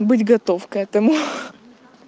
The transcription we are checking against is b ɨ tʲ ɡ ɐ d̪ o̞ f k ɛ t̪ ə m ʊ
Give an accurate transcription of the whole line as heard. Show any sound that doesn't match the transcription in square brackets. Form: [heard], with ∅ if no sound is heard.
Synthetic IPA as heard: b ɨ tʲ ɡ ɐ [t̪] o̞ f k ɛ t̪ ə m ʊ